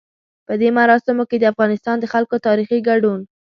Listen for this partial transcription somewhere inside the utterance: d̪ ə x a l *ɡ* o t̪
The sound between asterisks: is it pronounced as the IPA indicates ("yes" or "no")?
no